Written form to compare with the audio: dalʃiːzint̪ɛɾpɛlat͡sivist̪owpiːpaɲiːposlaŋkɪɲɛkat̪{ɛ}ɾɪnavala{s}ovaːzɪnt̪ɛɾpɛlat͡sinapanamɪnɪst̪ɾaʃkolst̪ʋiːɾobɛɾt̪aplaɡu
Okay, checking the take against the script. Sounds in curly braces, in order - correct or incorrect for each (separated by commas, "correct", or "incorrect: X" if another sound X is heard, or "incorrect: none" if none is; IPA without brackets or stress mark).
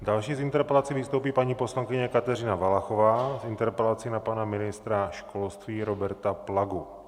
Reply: correct, incorrect: x